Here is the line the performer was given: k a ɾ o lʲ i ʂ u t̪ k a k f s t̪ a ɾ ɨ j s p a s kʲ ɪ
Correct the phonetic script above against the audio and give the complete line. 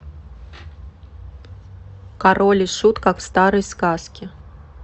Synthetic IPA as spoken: k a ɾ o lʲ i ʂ u t̪ k a k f s t̪ a ɾ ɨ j s k a s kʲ ɪ